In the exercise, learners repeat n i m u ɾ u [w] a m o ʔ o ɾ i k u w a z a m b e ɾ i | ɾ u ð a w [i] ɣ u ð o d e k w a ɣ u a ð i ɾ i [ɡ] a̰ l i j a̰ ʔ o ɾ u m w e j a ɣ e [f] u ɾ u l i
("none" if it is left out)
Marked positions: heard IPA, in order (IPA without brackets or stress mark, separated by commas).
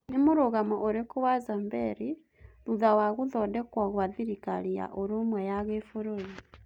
ɣ, a, k, f